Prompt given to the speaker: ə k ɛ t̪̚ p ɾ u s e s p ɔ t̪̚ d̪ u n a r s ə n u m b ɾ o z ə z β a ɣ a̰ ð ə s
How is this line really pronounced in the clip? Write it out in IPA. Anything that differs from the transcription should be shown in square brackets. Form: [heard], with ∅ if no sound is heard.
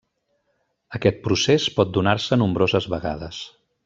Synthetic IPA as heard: ə k ɛ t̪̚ p ɾ u s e s p ɔ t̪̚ d̪ u n a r s ə n u m b ɾ o z ə z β [ə] ɣ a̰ ð ə s